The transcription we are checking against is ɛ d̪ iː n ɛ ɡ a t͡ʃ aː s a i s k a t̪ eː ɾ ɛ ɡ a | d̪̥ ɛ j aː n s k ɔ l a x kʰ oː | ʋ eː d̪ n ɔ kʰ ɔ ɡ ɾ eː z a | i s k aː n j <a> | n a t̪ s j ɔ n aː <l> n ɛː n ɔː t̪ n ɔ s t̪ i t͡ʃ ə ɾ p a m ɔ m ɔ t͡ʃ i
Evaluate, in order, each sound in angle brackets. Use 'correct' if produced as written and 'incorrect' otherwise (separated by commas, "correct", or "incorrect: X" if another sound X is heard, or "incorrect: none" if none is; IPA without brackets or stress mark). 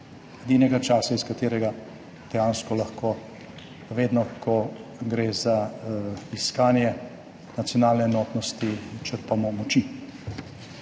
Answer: incorrect: ɛ, correct